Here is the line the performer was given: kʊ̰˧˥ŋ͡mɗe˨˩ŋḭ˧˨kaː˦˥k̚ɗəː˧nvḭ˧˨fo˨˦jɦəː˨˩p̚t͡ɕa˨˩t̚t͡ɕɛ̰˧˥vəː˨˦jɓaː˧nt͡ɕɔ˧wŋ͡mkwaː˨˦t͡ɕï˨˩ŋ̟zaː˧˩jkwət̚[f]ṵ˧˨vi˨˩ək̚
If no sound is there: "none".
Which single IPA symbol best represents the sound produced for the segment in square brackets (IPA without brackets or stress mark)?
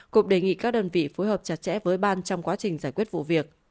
v